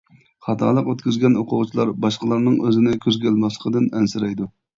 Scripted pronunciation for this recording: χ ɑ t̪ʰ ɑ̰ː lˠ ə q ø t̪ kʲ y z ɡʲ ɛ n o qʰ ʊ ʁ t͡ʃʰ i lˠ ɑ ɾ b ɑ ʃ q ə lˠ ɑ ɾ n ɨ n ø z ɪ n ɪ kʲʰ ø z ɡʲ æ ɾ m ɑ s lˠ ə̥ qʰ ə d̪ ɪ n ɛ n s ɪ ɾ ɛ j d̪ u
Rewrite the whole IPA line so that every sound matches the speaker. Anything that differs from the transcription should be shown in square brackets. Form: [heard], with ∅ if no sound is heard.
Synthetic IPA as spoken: χ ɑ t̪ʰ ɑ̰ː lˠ ə q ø t̪ kʲ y z ɡʲ ɛ n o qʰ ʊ ʁ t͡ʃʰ i lˠ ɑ ɾ b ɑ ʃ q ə lˠ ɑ ɾ n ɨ [ŋ] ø z ɪ n ɪ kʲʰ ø z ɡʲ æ [l] m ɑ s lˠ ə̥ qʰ ə d̪ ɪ n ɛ n s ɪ ɾ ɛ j d̪ u

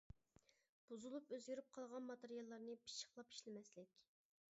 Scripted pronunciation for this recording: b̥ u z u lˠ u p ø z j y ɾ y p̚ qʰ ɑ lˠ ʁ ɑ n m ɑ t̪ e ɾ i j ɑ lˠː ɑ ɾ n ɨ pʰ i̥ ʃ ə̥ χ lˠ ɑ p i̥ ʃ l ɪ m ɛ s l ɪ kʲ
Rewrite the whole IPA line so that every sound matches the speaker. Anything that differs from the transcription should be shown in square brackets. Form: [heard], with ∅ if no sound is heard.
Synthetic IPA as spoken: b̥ u z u lˠ u p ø z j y ɾ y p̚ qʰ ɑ lˠ ʁ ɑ n m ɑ t̪ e ɾ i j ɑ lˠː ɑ ɾ n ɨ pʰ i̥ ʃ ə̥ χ lˠ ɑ p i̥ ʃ l ɪ m ɛ s l ɪ kʲ

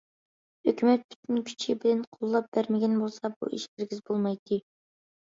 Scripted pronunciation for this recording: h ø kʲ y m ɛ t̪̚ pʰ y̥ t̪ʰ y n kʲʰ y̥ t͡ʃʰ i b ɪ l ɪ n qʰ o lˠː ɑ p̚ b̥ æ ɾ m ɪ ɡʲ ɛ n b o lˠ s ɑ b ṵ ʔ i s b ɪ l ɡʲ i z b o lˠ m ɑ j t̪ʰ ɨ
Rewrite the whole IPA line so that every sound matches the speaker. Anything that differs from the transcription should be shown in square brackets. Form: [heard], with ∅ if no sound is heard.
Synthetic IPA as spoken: h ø kʲ y m ɛ t̪̚ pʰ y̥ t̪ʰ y n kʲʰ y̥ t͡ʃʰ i b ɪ l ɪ n qʰ o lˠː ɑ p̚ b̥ æ ɾ m ɪ ɡʲ ɛ n b o lˠ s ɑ b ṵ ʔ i [ʃ] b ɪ [ɾ] ɡʲ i z b o lˠ m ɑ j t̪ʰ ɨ

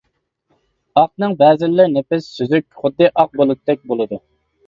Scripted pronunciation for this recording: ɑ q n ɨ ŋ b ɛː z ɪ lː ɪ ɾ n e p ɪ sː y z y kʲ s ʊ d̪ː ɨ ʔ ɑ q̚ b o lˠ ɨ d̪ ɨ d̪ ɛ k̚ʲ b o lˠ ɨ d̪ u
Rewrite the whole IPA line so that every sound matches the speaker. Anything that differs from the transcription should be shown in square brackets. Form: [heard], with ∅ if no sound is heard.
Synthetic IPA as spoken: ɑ q n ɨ ŋ b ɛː z ɪ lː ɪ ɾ n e p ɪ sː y z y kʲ [χ] ʊ d̪ː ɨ ʔ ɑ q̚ b o lˠ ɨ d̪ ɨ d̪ ɛ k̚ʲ b o lˠ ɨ d̪ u

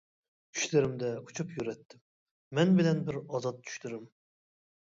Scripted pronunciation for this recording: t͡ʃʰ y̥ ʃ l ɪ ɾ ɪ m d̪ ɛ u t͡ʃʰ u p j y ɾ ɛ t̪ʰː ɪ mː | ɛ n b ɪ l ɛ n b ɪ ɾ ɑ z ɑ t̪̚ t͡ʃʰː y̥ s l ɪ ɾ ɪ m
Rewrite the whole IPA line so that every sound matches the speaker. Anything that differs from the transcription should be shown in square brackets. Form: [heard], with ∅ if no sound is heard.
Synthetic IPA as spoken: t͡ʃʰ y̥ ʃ l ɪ ɾ ɪ m d̪ ɛ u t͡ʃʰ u p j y ɾ ɛ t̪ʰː ɪ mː | ɛ n b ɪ l ɛ n b ɪ ɾ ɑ z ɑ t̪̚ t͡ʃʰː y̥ [ʃ] l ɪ ɾ ɪ m

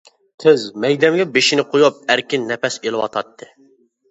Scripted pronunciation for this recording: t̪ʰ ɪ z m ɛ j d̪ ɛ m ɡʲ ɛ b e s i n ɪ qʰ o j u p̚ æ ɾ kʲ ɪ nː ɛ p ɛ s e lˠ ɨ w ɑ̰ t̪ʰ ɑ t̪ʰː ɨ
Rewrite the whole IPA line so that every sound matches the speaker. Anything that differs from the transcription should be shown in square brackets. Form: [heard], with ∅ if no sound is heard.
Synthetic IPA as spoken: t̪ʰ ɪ z m ɛ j d̪ ɛ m ɡʲ ɛ b e [ʃ] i n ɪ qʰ o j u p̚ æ ɾ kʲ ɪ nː ɛ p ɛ s e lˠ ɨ w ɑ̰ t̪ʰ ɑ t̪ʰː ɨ

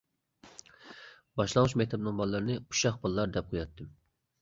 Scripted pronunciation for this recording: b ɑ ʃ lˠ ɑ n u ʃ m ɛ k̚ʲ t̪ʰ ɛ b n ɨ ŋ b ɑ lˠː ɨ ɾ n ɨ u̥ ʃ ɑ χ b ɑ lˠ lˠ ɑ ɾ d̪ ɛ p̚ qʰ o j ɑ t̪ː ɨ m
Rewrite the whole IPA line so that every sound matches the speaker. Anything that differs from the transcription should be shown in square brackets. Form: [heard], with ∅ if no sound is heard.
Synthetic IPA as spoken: b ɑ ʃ lˠ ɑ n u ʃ m ɛ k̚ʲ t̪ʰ ɛ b n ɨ ŋ b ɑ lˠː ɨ ɾ n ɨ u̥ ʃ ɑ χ b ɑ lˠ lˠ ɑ ɾ d̪ ɛ p̚ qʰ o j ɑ t̪ː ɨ m

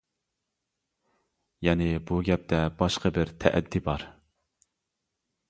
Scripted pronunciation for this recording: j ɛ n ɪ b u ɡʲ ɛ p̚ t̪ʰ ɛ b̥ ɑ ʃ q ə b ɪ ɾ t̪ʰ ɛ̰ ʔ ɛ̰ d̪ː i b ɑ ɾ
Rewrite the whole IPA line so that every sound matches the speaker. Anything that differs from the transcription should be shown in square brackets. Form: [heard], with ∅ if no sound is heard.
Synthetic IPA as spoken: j ɛ n ɪ b u ɡʲ ɛ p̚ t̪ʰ ɛ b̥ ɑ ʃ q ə b ɪ ɾ t̪ʰ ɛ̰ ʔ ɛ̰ d̪ː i b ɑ ɾ

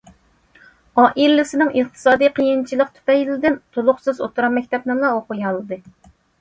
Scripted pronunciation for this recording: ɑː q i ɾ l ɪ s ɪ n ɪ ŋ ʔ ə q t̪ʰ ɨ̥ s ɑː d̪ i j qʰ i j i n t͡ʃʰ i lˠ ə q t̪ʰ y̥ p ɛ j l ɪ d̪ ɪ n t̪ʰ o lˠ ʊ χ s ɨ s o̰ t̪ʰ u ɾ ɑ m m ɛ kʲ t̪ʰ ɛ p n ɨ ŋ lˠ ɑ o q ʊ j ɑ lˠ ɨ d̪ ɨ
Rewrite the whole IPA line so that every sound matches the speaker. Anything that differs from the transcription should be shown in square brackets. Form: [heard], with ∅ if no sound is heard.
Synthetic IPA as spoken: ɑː [ʔ] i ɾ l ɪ s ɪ n ɪ ŋ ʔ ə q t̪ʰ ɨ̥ s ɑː d̪ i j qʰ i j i n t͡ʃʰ i lˠ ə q t̪ʰ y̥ p ɛ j l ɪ d̪ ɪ n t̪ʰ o lˠ ʊ χ s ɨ [z] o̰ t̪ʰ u ɾ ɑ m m ɛ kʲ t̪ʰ ɛ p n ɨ ŋ lˠ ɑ o q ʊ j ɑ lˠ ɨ d̪ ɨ

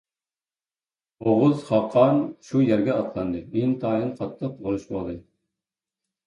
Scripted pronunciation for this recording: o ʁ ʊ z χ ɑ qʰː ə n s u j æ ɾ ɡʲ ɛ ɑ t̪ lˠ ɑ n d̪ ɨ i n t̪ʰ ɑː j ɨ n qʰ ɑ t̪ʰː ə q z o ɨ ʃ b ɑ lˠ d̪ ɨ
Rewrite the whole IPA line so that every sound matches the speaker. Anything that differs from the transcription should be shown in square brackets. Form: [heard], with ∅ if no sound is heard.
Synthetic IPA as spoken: o ʁ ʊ z χ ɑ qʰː [ɑ] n [ʃ] u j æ ɾ ɡʲ ɛ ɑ t̪ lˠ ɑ n d̪ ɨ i n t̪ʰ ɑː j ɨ n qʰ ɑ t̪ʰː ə q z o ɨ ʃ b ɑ lˠ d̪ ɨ

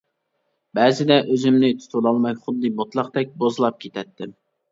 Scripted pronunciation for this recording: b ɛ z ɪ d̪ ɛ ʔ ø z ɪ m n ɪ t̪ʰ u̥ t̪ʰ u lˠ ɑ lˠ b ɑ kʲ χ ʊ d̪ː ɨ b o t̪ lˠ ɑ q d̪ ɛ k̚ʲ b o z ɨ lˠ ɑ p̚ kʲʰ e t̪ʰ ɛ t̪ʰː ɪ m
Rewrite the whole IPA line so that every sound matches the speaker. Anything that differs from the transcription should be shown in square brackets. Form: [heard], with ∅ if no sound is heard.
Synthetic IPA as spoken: b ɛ z ɪ d̪ ɛ ʔ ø z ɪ m n ɪ t̪ʰ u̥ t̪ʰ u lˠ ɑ lˠ [m] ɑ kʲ χ ʊ d̪ː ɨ b o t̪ lˠ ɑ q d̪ ɛ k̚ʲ b o z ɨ lˠ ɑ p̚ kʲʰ e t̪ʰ ɛ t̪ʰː ɪ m

